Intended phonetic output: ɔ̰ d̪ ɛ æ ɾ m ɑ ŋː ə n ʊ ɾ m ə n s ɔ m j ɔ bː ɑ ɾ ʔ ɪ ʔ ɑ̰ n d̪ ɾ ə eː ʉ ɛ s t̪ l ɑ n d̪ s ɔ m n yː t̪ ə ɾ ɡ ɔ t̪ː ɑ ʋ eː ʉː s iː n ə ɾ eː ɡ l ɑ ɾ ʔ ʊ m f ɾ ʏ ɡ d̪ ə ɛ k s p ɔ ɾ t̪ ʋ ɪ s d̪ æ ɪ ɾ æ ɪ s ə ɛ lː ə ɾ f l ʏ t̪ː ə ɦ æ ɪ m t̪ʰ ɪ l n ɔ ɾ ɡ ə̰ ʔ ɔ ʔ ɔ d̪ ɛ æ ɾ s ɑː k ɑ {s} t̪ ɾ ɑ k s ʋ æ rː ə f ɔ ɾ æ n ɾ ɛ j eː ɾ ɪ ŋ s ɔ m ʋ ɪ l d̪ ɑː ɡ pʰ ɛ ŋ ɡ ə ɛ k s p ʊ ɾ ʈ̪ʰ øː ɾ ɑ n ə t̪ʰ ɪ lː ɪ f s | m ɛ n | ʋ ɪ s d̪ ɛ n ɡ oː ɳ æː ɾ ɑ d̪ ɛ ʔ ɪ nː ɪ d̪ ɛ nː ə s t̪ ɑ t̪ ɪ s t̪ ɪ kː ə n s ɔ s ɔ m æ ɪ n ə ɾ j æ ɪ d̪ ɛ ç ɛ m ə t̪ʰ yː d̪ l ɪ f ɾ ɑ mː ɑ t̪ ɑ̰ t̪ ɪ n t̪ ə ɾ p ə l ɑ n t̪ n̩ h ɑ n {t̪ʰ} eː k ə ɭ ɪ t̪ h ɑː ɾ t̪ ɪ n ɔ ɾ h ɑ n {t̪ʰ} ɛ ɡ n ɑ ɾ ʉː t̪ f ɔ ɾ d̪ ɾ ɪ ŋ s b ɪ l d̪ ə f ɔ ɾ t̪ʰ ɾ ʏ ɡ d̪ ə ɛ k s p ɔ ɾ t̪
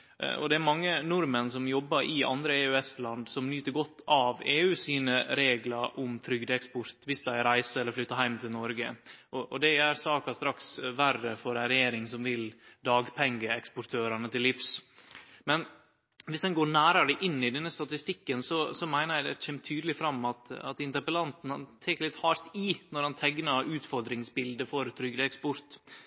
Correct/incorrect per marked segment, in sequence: correct, correct, correct

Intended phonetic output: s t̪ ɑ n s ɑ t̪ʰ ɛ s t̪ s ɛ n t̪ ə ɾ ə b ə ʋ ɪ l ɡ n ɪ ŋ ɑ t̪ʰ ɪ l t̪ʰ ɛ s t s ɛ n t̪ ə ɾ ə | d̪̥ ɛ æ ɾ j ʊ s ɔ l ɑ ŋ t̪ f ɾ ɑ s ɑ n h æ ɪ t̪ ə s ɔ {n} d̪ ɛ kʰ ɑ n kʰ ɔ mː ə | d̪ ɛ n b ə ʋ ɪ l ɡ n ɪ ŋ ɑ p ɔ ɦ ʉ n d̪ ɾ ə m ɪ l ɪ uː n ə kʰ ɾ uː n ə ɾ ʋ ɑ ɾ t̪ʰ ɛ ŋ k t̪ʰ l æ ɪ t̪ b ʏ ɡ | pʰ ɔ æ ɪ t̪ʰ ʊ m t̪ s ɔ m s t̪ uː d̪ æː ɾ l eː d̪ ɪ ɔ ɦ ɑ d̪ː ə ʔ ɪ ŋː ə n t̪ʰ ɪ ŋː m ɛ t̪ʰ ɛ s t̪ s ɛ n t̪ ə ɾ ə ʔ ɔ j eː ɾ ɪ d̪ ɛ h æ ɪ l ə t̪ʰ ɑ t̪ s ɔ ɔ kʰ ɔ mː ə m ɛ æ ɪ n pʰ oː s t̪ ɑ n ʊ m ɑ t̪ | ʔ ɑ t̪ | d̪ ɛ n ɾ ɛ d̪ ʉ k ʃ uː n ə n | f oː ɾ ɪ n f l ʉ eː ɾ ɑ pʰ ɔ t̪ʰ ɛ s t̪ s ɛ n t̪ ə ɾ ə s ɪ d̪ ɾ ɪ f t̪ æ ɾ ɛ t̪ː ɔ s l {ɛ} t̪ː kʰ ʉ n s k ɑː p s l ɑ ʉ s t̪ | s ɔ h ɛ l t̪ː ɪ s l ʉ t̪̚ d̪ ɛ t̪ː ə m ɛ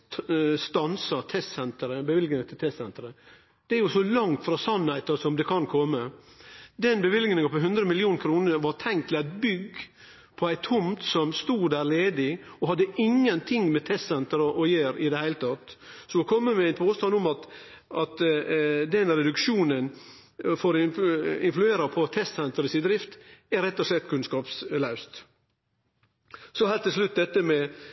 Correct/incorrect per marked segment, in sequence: incorrect: m, correct

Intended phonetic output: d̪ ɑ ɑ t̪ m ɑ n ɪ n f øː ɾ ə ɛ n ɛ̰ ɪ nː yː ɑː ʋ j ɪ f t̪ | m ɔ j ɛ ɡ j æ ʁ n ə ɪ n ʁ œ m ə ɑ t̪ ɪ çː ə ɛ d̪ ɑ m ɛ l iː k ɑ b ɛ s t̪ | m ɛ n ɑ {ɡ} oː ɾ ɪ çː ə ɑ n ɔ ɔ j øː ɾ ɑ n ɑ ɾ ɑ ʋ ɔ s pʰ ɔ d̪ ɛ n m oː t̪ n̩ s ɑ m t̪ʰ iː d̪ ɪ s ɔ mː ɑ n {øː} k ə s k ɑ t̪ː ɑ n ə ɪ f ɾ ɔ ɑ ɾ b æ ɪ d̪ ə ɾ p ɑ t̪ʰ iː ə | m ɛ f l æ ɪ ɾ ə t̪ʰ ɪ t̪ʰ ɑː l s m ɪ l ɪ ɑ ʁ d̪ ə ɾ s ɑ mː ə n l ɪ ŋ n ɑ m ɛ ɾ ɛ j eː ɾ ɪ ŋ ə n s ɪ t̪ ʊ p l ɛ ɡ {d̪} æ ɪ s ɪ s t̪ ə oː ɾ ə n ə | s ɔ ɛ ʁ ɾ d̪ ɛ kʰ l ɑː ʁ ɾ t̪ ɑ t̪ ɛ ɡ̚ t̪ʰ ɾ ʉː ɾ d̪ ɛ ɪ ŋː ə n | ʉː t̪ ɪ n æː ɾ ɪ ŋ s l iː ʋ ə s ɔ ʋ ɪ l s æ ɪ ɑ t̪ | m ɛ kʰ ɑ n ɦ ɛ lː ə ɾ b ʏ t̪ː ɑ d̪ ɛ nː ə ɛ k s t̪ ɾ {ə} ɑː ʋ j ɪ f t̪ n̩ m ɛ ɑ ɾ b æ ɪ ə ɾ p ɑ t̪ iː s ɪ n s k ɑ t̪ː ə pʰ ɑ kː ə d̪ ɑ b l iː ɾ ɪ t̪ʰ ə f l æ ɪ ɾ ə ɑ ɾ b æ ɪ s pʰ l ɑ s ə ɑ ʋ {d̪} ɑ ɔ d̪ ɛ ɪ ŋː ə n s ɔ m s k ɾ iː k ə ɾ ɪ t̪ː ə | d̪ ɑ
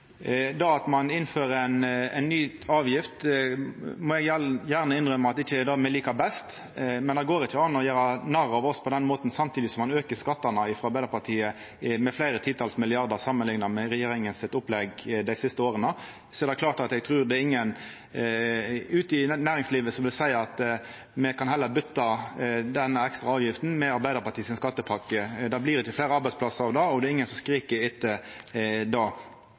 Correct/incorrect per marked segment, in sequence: correct, correct, correct, incorrect: ɑ, correct

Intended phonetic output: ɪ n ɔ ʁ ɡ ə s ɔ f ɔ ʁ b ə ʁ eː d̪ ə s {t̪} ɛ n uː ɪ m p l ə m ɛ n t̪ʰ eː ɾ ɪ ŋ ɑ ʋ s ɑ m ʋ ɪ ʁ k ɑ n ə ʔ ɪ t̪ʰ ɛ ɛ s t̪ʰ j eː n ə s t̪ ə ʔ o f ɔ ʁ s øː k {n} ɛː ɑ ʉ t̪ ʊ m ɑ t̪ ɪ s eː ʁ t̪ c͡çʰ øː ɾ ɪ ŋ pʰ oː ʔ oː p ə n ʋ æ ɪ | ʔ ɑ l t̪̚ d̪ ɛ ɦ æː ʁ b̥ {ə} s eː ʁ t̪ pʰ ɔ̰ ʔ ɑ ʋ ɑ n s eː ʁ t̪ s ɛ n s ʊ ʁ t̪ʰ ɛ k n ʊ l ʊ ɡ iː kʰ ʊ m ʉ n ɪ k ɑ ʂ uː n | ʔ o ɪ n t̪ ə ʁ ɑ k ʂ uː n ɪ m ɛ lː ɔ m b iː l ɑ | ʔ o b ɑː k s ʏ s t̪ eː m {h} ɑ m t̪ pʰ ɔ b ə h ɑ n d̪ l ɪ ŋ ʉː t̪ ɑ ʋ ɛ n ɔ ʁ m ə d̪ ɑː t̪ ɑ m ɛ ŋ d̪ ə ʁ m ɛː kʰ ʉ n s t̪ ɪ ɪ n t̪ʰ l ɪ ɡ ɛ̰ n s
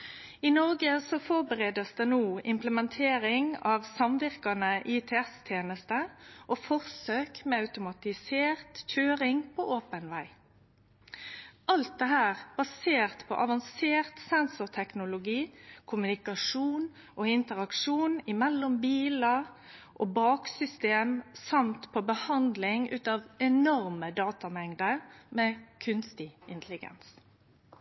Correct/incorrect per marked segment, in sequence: incorrect: d̪, incorrect: m, incorrect: ɑ, incorrect: s

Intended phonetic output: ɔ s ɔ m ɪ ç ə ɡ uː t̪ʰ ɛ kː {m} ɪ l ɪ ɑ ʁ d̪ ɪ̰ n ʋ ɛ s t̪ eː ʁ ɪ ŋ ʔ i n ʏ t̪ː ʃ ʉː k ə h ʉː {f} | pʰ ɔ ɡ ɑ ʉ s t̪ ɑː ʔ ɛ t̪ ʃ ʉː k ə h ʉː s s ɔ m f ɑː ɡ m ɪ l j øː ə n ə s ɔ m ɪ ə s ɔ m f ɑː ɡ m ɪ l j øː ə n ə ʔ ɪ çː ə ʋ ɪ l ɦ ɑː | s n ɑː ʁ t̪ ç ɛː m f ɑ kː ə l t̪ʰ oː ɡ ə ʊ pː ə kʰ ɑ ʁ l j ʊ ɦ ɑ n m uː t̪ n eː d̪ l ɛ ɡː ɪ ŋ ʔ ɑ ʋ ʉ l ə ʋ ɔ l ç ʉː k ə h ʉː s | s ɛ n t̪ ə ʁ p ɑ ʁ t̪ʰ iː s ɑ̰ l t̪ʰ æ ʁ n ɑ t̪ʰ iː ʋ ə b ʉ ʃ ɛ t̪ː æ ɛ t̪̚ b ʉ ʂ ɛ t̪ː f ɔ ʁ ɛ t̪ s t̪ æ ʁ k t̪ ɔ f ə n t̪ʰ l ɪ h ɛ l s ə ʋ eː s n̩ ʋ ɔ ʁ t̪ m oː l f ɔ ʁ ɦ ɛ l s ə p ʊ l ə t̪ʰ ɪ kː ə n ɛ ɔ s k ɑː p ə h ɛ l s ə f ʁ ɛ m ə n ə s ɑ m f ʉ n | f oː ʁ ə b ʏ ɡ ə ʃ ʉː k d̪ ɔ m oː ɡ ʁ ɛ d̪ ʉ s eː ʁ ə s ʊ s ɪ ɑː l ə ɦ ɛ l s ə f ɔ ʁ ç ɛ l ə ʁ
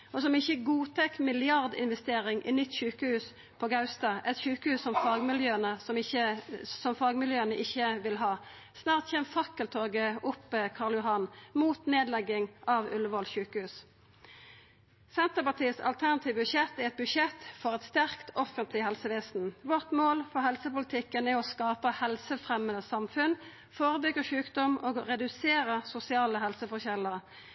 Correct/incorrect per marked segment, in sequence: correct, incorrect: s

